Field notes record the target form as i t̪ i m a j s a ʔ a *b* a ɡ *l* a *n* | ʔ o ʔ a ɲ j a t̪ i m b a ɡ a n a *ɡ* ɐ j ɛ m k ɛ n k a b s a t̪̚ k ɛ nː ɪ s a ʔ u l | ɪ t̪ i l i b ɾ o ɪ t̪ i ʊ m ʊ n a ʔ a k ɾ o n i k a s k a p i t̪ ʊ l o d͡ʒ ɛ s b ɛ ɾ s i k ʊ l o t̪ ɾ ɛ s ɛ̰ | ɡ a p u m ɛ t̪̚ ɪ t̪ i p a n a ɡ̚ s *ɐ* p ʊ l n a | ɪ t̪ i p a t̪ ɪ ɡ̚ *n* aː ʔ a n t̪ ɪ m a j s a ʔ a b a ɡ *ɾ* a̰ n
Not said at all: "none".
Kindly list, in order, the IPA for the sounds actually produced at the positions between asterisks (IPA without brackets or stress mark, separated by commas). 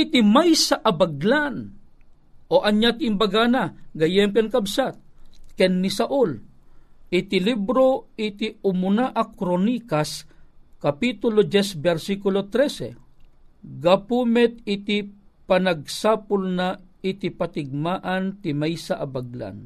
b, l, n, ɡ, a, m, l